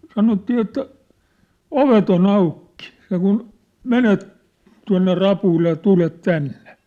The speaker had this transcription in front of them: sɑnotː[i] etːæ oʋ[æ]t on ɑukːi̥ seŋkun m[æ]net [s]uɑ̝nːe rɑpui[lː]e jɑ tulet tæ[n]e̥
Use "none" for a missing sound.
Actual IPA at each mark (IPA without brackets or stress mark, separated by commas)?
iː, e, e, t, lː, nː